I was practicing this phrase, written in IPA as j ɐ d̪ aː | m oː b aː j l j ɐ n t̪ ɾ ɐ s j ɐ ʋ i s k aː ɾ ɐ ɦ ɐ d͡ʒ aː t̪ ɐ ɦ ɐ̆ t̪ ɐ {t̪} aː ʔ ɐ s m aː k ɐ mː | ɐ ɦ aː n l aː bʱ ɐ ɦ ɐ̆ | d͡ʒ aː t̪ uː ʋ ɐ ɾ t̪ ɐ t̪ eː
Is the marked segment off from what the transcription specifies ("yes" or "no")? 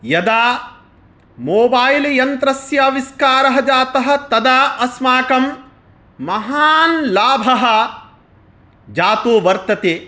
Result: yes